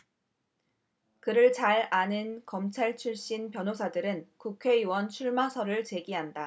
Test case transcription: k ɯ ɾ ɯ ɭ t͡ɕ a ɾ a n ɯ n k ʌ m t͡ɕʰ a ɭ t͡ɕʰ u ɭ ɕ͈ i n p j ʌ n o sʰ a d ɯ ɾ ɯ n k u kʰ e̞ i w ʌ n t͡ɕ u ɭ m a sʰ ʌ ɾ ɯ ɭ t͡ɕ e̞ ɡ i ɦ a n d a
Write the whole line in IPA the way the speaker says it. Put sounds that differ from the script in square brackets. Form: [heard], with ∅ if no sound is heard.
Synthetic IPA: k ɯ ɾ ɯ ɭ t͡ɕ a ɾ a n ɯ n k ʌ m t͡ɕʰ a ɭ t͡ɕʰ u ɭ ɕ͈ i n p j ʌ n o sʰ a d ɯ ɾ ɯ n k u kʰ e̞ i w ʌ n [t͡ɕʰ] u ɭ m a sʰ ʌ ɾ ɯ ɭ t͡ɕ e̞ ɡ i ɦ a n d a